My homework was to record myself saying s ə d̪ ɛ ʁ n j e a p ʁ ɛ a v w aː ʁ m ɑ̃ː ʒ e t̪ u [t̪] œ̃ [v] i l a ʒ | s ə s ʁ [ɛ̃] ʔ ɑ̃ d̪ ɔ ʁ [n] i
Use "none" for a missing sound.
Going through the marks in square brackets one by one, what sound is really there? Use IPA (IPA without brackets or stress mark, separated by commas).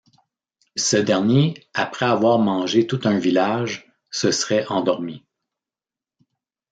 t̪, v, ɛ, m